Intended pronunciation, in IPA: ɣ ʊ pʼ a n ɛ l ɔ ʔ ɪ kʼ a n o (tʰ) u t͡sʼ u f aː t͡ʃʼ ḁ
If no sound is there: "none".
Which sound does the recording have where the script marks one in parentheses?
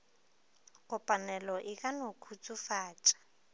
kʰ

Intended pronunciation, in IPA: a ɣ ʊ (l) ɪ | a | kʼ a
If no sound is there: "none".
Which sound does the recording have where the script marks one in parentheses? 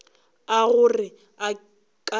r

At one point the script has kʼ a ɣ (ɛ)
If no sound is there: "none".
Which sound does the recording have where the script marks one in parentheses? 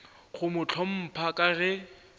ɛ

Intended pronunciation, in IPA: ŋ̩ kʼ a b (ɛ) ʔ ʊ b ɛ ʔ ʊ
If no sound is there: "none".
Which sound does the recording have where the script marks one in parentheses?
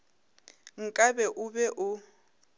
ɛ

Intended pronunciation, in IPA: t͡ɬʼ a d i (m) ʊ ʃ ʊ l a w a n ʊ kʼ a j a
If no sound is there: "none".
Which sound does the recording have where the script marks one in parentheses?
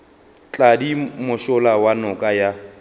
m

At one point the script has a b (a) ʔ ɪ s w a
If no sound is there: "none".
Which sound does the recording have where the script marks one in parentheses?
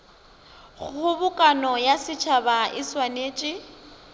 a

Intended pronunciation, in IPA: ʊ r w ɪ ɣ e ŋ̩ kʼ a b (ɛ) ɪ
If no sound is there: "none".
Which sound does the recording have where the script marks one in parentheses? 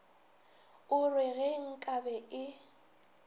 ɛ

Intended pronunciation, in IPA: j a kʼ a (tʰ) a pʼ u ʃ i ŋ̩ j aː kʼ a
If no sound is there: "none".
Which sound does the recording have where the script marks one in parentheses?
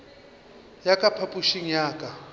pʰ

